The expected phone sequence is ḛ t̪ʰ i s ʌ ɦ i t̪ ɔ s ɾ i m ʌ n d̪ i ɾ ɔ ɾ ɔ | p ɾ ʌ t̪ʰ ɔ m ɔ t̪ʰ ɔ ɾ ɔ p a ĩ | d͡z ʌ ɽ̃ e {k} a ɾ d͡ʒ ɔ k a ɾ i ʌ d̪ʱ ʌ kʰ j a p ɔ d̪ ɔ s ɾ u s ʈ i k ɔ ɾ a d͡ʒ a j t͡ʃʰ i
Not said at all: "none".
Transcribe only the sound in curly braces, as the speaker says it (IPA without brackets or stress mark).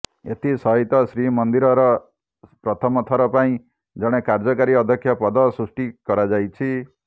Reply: k